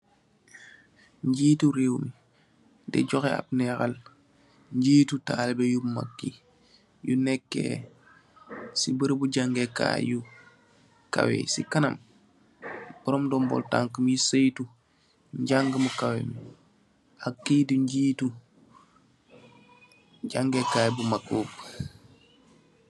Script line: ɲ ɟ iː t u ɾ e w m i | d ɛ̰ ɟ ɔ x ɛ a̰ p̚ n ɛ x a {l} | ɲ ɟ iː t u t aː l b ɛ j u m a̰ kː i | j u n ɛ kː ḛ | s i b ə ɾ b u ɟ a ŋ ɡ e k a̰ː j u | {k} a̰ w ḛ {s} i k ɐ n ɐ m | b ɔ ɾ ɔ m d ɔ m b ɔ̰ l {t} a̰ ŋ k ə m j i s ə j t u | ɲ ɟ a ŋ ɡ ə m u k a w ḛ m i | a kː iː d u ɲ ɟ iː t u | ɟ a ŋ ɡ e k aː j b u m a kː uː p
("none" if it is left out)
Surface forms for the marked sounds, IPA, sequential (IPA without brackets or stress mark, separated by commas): l, k, s, t